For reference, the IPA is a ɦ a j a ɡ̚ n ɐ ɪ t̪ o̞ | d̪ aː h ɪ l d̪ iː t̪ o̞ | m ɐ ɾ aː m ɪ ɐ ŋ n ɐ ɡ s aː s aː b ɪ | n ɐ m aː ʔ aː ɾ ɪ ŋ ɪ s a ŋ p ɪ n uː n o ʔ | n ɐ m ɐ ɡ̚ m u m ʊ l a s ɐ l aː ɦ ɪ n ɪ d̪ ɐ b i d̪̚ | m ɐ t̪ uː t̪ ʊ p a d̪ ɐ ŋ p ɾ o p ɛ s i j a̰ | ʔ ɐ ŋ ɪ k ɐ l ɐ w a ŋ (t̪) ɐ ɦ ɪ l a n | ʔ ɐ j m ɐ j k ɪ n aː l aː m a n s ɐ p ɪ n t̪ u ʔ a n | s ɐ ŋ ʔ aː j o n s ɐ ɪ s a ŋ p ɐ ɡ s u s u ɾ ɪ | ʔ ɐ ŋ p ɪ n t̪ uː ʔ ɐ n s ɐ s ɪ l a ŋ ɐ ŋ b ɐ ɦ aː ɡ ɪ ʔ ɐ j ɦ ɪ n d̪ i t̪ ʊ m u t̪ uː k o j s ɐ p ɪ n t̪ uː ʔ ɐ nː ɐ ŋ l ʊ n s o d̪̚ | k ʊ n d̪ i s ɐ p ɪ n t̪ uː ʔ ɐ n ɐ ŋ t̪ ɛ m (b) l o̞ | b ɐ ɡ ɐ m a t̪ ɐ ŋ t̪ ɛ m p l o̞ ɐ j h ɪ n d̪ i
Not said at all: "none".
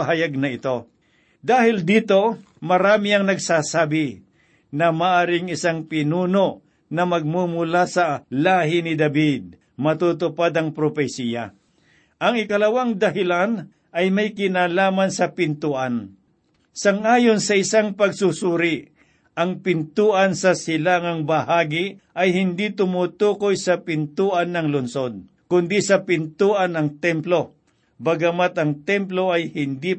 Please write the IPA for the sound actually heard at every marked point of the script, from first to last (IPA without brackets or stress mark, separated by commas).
d̪, p